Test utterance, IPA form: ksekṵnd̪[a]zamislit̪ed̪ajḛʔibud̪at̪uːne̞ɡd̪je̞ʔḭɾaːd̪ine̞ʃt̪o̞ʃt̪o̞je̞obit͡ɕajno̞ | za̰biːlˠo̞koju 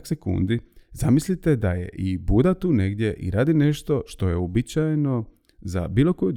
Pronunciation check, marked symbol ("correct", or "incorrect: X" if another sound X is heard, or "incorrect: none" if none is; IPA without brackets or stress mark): incorrect: i